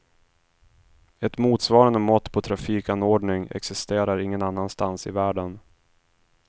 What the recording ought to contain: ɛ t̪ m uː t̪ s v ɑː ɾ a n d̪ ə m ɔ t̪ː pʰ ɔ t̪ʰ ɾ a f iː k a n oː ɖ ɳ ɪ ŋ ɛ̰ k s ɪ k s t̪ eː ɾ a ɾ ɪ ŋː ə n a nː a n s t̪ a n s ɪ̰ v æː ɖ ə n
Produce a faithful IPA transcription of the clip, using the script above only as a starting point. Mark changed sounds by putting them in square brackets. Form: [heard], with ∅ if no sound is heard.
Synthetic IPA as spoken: ɛ t̪ m uː t̪ s v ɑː ɾ a n d̪ ə m ɔ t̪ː pʰ ɔ t̪ʰ ɾ a f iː k a n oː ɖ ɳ ɪ ŋ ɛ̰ k s ɪ [∅] s t̪ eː ɾ a ɾ ɪ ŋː ə n a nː a n s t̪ a n s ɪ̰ v æː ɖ ə n